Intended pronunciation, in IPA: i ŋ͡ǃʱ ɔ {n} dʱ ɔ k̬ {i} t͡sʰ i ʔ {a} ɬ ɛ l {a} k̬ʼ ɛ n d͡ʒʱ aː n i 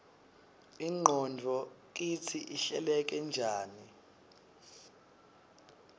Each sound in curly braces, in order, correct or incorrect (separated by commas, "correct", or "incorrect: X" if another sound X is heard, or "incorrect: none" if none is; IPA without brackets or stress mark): correct, correct, incorrect: i, incorrect: ɛ